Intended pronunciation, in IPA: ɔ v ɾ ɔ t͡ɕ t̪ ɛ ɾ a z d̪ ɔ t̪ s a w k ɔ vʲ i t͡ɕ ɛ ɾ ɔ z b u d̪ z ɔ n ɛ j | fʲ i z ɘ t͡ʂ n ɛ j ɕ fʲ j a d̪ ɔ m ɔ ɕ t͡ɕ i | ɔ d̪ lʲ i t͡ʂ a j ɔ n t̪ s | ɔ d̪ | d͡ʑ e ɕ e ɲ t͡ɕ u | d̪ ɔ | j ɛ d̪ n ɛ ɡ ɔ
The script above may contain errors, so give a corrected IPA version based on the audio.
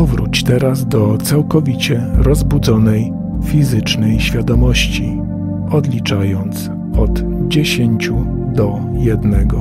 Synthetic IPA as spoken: ɔ v ɾ u t͡ɕ t̪ ɛ ɾ a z d̪ ɔ t̪ s a w k ɔ vʲ i t͡ɕ ɛ ɾ ɔ z b u d̪ z ɔ n ɛ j | fʲ i z ɘ t͡ʂ n ɛ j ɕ fʲ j a d̪ ɔ m ɔ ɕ t͡ɕ i | ɔ d̪ lʲ i t͡ʂ a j ɔ n t̪ s | ɔ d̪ | d͡ʑ e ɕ e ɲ t͡ɕ u | d̪ ɔ | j ɛ d̪ n ɛ ɡ ɔ